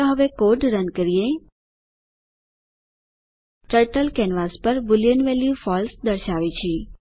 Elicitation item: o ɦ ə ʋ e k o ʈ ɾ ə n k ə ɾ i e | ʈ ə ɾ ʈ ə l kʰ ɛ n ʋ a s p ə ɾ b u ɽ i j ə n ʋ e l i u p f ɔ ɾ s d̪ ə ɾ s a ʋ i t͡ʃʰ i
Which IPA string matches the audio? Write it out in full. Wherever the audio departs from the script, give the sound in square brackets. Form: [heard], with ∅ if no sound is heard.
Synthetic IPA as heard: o ɦ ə ʋ e k o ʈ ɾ ə n k ə ɾ i e | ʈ ə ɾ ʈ ə l [k] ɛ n ʋ a s p ə ɾ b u [l] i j ə n ʋ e l [j] u [∅] f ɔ [l] s d̪ ə ɾ [ʃ] a ʋ i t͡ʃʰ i